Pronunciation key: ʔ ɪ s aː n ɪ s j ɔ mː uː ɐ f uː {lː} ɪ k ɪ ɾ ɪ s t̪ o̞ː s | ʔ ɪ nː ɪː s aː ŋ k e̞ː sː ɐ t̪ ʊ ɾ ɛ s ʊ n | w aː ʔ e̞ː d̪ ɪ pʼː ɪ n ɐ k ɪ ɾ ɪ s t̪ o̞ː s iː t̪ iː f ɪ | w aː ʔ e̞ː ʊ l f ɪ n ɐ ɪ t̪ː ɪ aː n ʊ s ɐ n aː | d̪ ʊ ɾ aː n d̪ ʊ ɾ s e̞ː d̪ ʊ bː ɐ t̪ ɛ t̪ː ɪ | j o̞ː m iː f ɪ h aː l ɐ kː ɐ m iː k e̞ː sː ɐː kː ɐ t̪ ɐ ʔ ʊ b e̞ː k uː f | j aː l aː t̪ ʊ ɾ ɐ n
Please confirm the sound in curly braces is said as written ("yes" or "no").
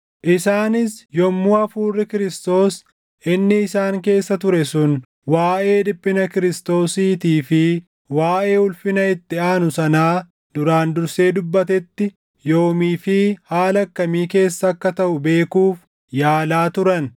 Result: no